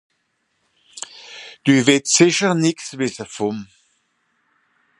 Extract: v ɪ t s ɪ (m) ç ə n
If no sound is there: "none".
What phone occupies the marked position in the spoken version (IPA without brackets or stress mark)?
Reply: none